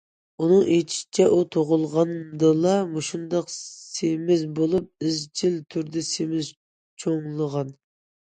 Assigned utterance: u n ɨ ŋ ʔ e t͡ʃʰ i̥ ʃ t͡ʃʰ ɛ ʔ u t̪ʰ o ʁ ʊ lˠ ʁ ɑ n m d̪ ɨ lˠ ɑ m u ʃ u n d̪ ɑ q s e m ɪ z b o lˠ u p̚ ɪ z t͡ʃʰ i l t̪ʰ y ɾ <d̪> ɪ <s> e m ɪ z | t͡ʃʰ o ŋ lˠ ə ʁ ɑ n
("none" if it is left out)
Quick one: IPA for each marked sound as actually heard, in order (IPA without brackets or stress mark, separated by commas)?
d̪, s